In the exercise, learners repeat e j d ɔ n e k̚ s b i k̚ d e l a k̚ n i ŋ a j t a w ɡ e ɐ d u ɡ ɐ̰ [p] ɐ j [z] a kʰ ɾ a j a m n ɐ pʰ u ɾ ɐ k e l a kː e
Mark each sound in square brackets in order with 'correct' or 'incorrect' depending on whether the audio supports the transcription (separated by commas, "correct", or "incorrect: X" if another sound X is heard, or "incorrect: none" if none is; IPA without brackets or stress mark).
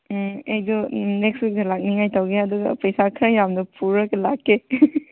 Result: correct, incorrect: s